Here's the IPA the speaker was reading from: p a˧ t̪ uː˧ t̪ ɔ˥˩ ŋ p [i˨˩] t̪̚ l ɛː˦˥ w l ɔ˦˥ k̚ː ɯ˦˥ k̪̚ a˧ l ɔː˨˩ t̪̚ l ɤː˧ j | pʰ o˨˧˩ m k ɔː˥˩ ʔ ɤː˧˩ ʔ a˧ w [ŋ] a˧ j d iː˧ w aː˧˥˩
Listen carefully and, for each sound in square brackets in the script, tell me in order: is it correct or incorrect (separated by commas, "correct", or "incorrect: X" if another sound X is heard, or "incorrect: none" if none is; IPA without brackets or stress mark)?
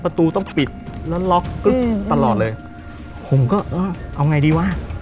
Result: correct, correct